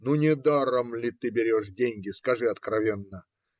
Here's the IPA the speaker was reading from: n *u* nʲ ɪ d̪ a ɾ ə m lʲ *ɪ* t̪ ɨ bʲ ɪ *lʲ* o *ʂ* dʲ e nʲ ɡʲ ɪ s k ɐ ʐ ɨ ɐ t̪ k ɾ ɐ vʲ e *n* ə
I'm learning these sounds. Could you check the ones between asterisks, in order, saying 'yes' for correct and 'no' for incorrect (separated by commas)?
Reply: yes, yes, no, yes, no